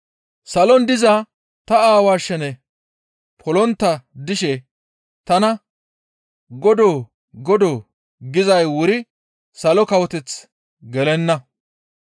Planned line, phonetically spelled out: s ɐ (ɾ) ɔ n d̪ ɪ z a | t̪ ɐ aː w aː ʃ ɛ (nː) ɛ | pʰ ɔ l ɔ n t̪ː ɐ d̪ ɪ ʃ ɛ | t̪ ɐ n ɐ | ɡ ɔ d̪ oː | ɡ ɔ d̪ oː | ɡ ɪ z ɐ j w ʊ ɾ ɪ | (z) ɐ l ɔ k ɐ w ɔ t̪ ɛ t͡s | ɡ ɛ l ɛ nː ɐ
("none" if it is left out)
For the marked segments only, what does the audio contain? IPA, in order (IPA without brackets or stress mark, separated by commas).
l, n, s